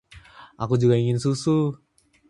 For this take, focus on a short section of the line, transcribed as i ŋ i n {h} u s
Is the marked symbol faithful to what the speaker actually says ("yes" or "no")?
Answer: no